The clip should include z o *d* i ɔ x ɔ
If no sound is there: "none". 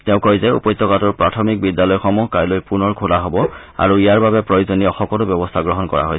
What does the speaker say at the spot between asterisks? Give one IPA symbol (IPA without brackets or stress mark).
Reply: n